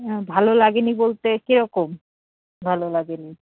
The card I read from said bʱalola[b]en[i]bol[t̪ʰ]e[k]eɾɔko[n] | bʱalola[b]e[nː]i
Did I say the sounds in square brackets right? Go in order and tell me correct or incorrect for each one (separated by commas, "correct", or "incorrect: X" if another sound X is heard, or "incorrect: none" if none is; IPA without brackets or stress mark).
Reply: incorrect: ɡ, correct, incorrect: t̪, correct, incorrect: m, incorrect: ɡ, incorrect: n